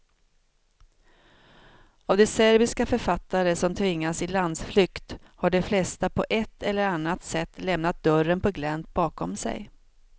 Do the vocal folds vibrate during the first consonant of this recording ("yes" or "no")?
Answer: yes